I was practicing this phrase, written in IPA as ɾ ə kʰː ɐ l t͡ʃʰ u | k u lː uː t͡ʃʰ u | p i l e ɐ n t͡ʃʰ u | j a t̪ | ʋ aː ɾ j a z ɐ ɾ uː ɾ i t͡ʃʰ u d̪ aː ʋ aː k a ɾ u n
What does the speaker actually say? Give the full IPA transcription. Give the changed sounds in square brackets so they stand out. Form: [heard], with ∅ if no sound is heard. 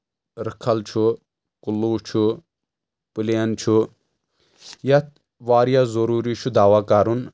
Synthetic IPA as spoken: ɾ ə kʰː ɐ l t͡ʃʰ u | k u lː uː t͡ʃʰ u | p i l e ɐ n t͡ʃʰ u | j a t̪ | ʋ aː ɾ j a z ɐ ɾ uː ɾ i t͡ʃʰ u d̪ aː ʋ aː k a ɾ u n